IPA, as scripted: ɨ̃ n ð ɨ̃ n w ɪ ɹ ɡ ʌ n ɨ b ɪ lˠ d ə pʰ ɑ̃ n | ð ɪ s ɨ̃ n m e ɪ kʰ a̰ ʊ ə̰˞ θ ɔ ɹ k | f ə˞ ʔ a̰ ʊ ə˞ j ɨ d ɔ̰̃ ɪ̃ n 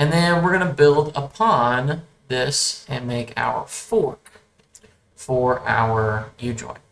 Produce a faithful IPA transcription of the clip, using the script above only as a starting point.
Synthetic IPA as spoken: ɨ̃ n ð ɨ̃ n w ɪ ɹ ɡ ʌ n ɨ b ɪ lˠ d ə pʰ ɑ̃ n | ð ɪ s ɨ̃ n m e ɪ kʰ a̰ ʊ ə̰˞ f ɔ ɹ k | f ə˞ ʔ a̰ ʊ ə˞ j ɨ d͡ʒ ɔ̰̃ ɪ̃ n